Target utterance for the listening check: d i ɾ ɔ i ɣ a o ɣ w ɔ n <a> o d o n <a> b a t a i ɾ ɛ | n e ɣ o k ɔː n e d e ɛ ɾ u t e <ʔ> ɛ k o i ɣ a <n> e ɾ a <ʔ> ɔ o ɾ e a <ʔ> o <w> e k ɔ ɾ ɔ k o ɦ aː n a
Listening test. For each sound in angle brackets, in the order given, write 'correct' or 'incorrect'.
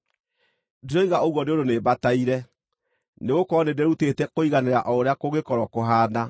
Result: incorrect, incorrect, incorrect, correct, correct, incorrect, incorrect

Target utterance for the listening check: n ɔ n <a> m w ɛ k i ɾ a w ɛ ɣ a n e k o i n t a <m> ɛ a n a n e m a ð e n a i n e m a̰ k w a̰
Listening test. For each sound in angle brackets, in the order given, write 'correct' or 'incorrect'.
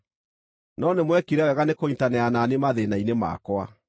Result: incorrect, incorrect

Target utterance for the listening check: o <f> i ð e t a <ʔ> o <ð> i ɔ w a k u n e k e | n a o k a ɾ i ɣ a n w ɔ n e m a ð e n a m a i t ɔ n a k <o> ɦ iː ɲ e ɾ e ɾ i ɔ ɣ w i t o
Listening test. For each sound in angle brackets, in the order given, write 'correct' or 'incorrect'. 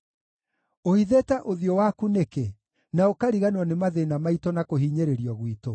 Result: incorrect, correct, correct, correct

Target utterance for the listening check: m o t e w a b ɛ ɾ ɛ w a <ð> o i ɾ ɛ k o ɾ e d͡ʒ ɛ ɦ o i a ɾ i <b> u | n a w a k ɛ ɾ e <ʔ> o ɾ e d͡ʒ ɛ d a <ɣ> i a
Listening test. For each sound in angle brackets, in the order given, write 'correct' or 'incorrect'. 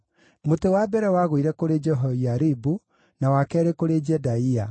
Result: incorrect, correct, incorrect, incorrect

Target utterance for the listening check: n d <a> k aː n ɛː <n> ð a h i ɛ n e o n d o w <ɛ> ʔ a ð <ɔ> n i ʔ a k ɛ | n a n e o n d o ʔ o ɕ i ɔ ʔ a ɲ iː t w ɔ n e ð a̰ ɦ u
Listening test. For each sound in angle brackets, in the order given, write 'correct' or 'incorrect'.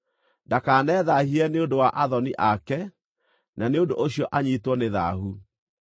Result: correct, incorrect, incorrect, correct

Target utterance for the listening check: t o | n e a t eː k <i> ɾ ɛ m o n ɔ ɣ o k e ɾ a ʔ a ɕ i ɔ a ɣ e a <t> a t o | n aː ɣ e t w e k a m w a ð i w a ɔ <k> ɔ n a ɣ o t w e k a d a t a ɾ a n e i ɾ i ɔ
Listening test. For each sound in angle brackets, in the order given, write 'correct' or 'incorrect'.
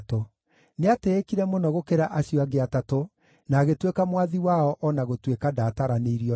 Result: correct, correct, incorrect

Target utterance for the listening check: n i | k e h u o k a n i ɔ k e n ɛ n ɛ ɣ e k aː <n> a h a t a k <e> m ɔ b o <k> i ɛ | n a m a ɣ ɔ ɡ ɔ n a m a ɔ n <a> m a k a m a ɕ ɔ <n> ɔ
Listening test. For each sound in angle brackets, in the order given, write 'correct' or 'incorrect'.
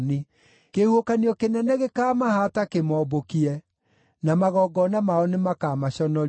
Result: incorrect, correct, correct, incorrect, correct

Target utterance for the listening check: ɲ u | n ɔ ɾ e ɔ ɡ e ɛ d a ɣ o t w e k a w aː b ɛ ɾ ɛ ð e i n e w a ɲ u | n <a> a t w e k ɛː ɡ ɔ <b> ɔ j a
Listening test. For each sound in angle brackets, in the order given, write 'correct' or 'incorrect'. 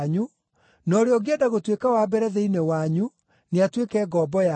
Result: incorrect, correct

